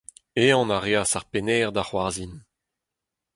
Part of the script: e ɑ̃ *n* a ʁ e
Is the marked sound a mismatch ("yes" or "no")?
no